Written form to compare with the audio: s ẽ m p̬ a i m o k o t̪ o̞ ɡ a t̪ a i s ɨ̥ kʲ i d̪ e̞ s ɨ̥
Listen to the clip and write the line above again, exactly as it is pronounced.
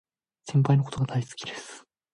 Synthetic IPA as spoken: s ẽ m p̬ a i n o k o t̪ o̞ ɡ a d̪ a i s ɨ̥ kʲ i d̪ e̞ s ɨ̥